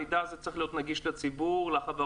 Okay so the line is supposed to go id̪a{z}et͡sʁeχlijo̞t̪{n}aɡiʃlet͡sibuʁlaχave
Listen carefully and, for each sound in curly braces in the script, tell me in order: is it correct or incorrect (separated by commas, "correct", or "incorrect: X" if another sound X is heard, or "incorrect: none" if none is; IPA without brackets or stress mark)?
correct, correct